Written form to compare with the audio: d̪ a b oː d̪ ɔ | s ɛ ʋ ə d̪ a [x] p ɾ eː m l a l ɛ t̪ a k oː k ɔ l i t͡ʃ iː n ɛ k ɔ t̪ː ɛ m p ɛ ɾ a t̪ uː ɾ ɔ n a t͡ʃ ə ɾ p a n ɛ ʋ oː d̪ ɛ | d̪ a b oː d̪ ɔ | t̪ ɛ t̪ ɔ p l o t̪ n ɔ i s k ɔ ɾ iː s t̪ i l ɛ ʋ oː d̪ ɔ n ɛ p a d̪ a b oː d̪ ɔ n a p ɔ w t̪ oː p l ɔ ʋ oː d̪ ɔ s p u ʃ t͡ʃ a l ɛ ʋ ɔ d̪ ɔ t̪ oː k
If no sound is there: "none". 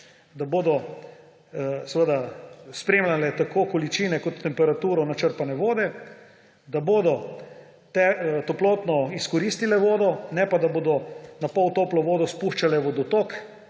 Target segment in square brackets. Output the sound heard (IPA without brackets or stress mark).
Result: s